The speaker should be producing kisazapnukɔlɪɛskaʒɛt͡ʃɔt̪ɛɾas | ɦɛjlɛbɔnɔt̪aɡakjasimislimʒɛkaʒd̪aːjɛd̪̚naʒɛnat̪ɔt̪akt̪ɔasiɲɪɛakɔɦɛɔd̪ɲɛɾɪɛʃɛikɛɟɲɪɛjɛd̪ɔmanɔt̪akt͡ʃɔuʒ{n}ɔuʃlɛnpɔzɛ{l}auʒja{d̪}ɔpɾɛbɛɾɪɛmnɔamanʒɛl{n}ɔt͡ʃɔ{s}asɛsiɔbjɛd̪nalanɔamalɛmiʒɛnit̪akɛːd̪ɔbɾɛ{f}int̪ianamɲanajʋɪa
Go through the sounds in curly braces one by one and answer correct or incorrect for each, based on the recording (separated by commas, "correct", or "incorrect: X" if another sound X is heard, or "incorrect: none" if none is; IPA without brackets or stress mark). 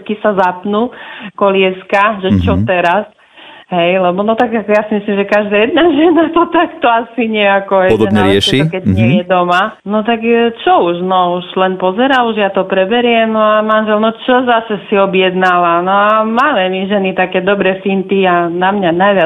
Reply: correct, incorrect: ɾ, incorrect: t̪, correct, incorrect: z, correct